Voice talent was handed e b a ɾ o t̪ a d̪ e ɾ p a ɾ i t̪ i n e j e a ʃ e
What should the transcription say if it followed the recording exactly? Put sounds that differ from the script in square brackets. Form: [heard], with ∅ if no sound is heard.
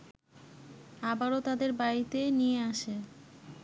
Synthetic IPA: [a] b a ɾ o t̪ a d̪ e ɾ [b] a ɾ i t̪ [e] n [i] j e a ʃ e